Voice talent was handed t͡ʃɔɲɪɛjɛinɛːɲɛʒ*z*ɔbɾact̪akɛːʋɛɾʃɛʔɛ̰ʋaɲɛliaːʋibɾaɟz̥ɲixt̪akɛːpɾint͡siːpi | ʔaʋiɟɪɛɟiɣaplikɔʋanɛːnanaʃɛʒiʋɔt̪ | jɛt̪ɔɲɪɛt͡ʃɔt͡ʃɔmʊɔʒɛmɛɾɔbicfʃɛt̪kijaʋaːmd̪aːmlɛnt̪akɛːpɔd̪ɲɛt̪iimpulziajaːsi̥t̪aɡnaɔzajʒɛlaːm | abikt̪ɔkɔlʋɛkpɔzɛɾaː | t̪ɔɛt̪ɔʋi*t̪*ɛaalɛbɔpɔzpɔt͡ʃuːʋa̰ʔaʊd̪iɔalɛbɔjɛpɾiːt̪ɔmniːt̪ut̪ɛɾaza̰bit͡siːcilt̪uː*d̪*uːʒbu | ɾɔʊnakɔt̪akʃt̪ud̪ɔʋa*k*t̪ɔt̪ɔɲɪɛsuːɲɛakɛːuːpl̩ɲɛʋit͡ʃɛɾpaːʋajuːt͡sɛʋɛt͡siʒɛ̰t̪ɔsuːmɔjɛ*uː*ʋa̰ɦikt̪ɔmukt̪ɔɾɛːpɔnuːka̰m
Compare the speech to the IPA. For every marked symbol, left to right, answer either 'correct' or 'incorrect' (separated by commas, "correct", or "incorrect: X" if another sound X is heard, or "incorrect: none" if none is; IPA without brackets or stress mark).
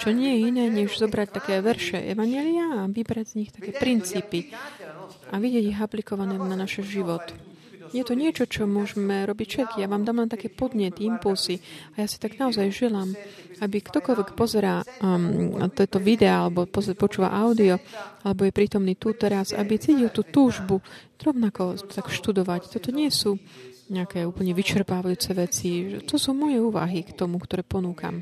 correct, incorrect: d̪, incorrect: t̪, incorrect: c, correct